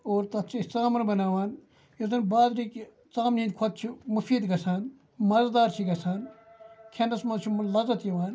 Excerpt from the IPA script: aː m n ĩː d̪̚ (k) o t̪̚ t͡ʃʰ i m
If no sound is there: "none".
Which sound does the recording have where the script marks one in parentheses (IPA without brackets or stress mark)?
kʰ